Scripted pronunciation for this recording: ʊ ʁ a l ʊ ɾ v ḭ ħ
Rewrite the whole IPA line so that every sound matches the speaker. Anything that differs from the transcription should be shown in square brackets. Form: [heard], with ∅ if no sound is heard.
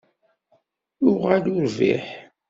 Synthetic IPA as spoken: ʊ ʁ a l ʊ ɾ v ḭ ħ